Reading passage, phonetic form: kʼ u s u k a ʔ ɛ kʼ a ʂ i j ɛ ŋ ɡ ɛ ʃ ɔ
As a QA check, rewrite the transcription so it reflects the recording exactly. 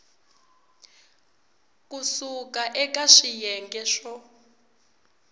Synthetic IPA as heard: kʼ u s u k a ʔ ɛ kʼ a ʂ i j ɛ ŋ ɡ ɛ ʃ ɔ